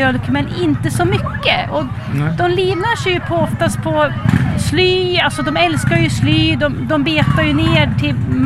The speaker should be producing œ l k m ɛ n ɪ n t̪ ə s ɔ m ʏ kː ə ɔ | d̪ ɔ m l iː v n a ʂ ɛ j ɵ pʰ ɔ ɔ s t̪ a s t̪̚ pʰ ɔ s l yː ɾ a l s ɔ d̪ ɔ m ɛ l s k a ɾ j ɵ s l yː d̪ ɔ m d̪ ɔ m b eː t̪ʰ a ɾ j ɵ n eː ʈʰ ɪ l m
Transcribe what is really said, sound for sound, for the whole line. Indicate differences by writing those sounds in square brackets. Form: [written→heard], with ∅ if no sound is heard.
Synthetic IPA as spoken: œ l k m ɛ n ɪ n t̪ ə s ɔ m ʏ kː ə ɔ | d̪ ɔ m l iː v n a ʂ ɛ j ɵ pʰ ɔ ɔ [s→f] t̪ a s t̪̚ pʰ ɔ s l yː [ɾ→∅] a l s ɔ d̪ ɔ m ɛ l s k a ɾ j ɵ s l yː d̪ ɔ m d̪ ɔ m b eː [t̪ʰ→t̪] a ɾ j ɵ n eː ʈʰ ɪ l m